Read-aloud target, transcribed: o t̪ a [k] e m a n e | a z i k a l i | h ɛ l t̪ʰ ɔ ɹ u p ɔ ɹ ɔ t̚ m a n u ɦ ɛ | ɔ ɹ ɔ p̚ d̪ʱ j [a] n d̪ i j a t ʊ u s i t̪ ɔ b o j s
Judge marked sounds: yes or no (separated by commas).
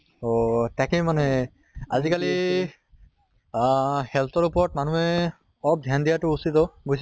yes, yes